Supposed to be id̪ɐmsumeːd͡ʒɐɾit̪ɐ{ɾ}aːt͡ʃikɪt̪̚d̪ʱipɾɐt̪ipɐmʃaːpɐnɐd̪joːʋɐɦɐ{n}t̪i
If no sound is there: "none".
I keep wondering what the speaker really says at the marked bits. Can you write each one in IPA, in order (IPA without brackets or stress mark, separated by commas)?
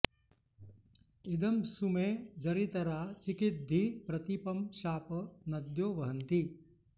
ɾ, n